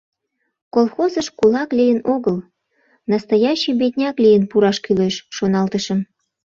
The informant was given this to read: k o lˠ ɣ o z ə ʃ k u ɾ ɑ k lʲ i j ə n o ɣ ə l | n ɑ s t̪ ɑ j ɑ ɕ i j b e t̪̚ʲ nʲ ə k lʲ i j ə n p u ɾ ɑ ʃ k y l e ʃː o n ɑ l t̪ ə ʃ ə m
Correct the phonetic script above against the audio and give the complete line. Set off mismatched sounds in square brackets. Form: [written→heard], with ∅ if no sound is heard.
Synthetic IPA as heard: k o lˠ [ɣ→x] o z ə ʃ k u [ɾ→l] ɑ k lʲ i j ə n o ɣ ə l | n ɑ s t̪ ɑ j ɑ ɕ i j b e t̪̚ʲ nʲ [ə→ɑ] k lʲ i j ə n p u ɾ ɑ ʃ k y l e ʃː o n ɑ l t̪ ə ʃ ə m

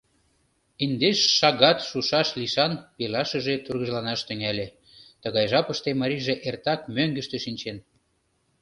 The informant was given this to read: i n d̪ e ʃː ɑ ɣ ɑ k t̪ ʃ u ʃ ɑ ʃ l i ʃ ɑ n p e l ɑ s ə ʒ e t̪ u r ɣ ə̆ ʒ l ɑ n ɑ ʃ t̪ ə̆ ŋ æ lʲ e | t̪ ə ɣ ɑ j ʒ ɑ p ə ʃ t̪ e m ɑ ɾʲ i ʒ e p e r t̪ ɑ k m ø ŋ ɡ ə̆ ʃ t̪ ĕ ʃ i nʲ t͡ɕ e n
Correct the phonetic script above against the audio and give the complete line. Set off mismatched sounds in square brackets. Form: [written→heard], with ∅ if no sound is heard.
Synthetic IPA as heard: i n d̪ e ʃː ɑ ɣ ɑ [k→∅] t̪ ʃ u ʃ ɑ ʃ l i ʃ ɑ n p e l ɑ [s→ʃ] ə ʒ e t̪ u r ɣ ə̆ ʒ l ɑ n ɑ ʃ t̪ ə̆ ŋ æ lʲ e | t̪ ə ɣ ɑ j ʒ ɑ p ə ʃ t̪ e m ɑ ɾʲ i ʒ e [p→ʔ] e r t̪ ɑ k m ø ŋ ɡ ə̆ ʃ t̪ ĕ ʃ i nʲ t͡ɕ e n

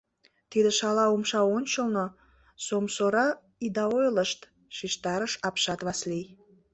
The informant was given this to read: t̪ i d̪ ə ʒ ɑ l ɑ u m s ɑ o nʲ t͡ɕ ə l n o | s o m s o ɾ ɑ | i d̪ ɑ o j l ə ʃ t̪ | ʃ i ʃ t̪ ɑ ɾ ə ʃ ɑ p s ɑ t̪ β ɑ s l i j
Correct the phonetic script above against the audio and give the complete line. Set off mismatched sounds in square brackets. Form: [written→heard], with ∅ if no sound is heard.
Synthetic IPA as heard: t̪ i d̪ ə [ʒ→ʃ] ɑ l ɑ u m [s→ʃ] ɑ o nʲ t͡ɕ ə l n o | s o m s o ɾ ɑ | i d̪ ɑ o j l ə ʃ t̪ | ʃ i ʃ t̪ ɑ ɾ ə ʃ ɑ p [s→ʃ] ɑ t̪ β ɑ s l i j

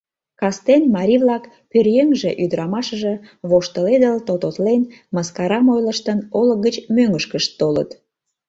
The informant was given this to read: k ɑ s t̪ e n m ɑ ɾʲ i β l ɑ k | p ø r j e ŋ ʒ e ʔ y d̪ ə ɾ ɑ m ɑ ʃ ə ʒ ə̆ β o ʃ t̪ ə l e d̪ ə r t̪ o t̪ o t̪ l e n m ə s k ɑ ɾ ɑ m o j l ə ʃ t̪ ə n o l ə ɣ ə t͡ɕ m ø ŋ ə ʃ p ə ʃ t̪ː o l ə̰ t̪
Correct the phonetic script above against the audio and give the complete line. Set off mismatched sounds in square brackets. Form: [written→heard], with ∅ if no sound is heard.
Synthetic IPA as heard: k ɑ s t̪ e n m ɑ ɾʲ i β l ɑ k | p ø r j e ŋ ʒ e ʔ y d̪ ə ɾ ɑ m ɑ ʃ ə ʒ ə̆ β o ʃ t̪ ə l e d̪ ə [r→l] t̪ o t̪ o t̪ l e n m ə s k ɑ ɾ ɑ m o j l ə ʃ t̪ ə n o l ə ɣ ə t͡ɕ m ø ŋ ə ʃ [p→k] ə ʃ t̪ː o l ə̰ t̪

